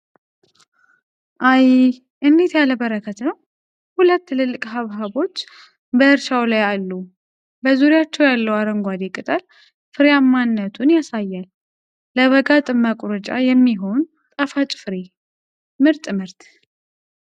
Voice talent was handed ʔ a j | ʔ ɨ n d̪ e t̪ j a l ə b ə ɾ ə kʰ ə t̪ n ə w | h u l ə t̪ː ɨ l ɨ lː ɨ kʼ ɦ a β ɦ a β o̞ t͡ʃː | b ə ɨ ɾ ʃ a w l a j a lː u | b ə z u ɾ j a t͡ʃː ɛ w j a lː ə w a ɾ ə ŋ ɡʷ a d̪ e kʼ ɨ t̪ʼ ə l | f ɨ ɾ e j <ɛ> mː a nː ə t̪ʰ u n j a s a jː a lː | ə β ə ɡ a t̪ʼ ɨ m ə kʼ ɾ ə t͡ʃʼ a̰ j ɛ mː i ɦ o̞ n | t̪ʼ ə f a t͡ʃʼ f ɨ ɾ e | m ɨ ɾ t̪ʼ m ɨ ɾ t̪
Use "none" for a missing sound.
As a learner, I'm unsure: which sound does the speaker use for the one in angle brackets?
a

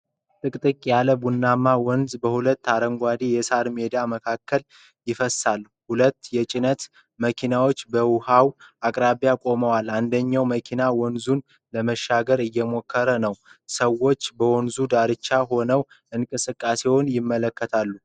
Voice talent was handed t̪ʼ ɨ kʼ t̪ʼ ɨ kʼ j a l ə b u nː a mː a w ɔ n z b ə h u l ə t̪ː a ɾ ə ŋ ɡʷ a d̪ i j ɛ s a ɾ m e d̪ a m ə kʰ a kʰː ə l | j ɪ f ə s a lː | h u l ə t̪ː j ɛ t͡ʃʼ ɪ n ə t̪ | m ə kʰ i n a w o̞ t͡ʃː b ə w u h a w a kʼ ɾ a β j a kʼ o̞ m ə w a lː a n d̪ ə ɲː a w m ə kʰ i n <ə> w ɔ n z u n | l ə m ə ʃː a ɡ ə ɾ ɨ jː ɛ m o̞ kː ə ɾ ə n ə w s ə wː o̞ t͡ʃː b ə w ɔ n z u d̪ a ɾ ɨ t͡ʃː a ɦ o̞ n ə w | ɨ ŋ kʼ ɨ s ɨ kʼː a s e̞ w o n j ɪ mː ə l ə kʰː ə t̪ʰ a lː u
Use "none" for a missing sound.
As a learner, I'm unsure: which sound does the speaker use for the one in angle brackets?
a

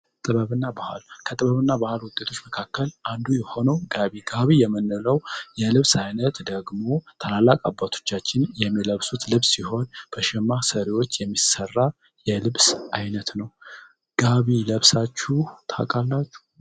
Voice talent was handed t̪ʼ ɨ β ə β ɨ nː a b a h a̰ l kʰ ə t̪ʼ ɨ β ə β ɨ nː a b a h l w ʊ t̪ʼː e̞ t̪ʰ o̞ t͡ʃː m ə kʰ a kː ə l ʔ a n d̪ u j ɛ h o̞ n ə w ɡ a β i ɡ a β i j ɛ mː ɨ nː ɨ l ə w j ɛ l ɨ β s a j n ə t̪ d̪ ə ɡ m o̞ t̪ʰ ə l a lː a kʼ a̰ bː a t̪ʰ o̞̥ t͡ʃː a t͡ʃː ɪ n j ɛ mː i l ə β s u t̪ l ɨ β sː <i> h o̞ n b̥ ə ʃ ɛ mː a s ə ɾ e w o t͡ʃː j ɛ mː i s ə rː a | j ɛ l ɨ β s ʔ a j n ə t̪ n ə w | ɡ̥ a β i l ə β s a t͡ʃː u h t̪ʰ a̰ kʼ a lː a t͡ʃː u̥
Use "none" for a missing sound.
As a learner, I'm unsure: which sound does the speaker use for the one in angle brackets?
i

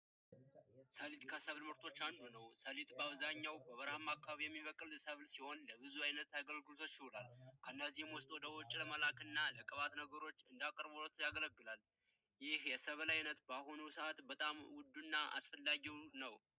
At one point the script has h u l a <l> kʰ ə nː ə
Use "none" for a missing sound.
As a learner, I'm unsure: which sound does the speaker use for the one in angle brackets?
l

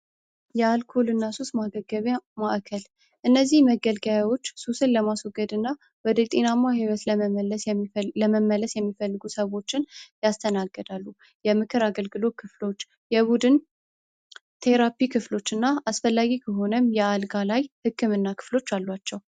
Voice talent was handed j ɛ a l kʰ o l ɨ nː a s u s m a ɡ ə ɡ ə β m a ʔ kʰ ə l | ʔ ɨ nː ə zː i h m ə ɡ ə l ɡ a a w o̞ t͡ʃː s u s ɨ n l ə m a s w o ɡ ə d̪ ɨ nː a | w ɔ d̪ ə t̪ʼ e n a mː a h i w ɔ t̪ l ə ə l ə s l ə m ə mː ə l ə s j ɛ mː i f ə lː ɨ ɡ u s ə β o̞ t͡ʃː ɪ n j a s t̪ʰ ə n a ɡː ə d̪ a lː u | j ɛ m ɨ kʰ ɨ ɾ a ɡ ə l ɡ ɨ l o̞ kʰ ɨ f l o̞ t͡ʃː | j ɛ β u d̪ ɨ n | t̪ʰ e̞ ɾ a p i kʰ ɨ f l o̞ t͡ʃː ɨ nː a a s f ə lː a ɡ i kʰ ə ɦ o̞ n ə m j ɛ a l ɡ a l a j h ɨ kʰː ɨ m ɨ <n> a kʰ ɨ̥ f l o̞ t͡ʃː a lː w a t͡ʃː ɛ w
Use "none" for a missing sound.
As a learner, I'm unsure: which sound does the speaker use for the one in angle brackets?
nː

